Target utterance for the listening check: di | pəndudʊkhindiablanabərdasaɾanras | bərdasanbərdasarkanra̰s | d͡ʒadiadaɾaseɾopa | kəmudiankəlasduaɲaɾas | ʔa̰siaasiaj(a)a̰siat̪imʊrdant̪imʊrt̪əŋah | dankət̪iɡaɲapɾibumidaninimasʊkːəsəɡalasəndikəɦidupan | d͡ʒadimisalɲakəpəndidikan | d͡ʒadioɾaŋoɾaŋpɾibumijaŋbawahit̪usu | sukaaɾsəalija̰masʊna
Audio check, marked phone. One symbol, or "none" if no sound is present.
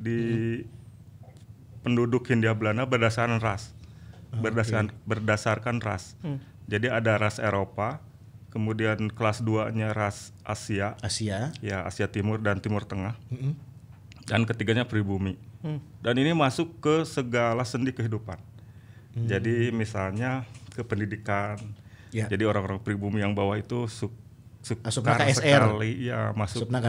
a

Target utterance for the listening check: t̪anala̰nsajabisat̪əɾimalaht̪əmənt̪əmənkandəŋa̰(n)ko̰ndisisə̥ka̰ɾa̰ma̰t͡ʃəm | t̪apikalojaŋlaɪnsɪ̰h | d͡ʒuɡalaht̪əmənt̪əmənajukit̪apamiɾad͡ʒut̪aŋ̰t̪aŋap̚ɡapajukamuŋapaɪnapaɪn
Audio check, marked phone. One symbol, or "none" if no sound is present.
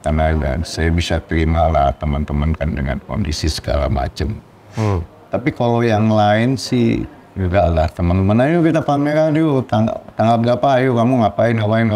n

